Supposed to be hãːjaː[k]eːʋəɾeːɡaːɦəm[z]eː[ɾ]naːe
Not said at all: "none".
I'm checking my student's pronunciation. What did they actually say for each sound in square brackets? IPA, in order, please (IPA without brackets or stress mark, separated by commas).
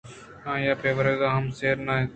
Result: p, s, ɾ